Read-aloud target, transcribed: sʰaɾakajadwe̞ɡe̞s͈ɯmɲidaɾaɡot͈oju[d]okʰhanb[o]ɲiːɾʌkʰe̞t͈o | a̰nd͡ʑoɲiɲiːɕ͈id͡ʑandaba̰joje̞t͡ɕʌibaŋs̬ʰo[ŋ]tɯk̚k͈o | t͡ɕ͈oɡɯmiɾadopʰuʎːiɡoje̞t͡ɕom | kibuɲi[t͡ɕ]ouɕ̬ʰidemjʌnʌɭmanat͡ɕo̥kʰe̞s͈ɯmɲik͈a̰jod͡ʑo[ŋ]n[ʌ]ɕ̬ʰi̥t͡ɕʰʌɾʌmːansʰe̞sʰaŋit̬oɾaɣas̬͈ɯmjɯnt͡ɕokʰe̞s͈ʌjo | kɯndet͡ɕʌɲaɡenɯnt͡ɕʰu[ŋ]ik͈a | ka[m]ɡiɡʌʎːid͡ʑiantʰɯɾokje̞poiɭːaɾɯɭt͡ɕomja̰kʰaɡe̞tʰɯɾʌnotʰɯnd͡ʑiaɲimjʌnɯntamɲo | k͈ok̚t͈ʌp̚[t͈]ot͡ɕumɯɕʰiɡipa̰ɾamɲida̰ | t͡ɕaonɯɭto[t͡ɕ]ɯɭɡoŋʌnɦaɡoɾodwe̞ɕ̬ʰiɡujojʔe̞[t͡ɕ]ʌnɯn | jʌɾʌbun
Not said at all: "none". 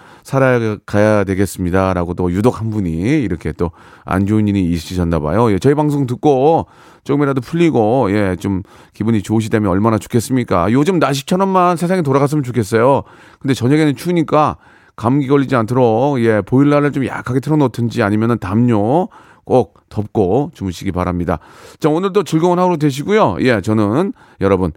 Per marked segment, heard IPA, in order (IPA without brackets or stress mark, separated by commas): d, u, ŋ, t͡ɕ, m, a, ɲ, m, k͈, t͡ɕ, t͡ɕ